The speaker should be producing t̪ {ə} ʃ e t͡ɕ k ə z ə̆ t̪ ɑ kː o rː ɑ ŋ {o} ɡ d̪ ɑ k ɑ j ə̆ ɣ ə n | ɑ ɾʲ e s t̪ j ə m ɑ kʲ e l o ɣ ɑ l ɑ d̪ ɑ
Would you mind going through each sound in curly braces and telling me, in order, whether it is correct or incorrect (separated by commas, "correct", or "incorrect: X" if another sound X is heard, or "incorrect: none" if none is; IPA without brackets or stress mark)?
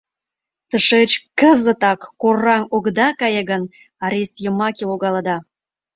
correct, correct